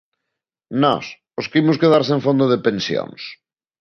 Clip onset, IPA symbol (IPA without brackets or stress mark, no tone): n